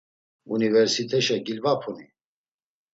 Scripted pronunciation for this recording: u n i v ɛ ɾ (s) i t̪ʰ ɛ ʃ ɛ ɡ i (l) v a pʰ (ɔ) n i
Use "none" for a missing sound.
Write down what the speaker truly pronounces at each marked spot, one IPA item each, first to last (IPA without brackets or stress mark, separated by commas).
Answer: s, l, u